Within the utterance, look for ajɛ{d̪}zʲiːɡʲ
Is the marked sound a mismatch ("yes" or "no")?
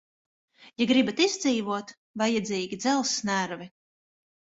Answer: no